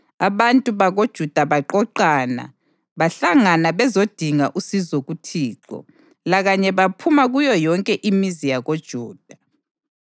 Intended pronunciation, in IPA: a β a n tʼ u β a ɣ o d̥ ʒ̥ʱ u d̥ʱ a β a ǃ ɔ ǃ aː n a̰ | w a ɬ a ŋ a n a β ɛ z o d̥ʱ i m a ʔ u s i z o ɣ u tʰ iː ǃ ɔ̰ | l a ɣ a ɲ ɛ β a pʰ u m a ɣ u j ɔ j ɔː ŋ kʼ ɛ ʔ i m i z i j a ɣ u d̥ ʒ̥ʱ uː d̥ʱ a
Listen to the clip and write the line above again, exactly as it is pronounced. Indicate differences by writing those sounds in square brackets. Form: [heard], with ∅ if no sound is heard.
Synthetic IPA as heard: a β a n tʼ u β a ɣ o d̥ ʒ̥ʱ u d̥ʱ a β a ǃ ɔ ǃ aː n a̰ | [β] a ɬ a ŋ a n a β ɛ z o d̥ʱ i [ŋ] a ʔ u s i z o ɣ u tʰ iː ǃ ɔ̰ | l a ɣ a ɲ ɛ β a pʰ u m a ɣ u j ɔ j [ɔ] ŋ kʼ ɛ ʔ i m i z i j a ɣ [o] d̥ ʒ̥ʱ uː d̥ʱ a